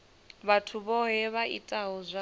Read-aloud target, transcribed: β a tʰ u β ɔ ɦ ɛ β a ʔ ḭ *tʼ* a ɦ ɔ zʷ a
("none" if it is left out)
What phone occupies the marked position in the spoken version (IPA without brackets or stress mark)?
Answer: tʼ